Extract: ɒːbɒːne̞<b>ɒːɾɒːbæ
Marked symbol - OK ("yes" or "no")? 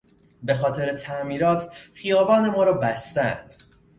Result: no